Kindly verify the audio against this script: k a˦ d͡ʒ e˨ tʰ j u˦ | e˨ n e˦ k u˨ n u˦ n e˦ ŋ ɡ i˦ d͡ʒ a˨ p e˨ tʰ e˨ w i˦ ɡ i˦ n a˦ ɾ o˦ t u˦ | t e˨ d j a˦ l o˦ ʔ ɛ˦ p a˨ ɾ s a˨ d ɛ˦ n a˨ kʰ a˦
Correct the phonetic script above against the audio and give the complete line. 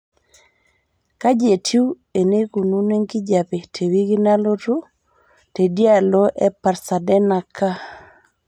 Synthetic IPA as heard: k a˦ d͡ʒ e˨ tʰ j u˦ | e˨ n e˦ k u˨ n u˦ n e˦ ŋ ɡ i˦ d͡ʒ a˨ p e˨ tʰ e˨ w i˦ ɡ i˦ n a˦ l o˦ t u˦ | t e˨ d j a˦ l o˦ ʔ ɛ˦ p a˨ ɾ s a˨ d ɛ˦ n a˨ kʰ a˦